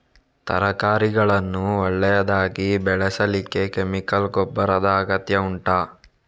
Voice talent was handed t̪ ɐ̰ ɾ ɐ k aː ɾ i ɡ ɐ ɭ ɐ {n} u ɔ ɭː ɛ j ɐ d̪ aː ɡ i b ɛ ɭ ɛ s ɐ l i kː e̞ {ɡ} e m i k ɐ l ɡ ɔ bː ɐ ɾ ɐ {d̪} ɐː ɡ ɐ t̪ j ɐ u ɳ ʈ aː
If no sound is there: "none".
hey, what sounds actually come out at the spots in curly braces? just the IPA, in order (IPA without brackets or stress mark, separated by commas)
nː, k, d̪